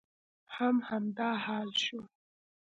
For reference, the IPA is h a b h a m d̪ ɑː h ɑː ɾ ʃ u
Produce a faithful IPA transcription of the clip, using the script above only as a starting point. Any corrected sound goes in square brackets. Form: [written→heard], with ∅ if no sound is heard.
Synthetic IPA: h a [b→m] h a m d̪ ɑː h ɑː [ɾ→l] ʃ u